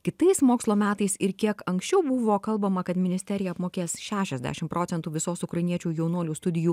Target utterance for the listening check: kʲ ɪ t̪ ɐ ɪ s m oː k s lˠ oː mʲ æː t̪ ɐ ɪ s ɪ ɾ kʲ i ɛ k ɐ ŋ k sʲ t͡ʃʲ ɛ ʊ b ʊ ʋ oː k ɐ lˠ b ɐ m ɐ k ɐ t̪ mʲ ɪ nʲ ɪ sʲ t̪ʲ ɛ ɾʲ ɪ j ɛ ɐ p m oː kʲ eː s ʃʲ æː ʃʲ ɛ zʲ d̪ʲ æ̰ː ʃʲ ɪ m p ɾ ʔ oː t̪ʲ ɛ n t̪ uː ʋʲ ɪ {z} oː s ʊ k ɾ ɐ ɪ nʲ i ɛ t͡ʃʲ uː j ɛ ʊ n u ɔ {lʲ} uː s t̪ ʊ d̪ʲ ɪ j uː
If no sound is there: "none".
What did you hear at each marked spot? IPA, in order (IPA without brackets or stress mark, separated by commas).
s, lʲ